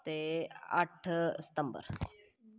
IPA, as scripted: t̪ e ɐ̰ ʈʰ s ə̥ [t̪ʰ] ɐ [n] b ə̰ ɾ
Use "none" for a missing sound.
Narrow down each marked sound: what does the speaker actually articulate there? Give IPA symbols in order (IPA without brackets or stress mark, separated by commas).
t̪, m